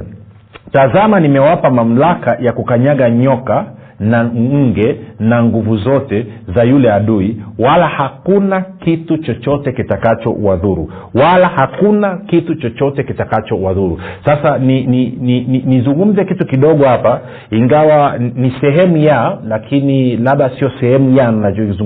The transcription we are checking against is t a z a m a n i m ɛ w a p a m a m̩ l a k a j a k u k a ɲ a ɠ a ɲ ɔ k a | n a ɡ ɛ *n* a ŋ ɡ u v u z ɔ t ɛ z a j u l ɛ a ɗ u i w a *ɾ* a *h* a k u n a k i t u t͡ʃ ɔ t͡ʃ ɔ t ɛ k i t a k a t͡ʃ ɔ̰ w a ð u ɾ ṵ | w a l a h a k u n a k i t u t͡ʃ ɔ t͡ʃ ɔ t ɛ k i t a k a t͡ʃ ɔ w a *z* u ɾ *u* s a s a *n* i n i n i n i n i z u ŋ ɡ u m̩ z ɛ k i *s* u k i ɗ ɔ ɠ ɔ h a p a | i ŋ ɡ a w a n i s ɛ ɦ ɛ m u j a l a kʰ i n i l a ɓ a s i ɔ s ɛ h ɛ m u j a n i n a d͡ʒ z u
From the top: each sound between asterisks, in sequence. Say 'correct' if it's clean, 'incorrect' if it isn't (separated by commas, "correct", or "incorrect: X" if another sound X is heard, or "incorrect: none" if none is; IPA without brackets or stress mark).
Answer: correct, incorrect: l, correct, incorrect: ð, correct, correct, incorrect: t